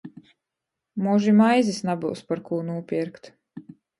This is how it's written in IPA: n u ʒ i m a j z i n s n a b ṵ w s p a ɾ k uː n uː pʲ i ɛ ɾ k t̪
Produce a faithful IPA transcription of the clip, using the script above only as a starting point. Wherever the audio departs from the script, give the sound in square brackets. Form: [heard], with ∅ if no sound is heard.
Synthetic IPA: [m] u ʒ i m a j z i [∅] s n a b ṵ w s p a ɾ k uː n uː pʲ i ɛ ɾ k t̪